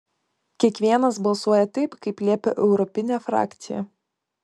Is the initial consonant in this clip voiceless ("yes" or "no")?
yes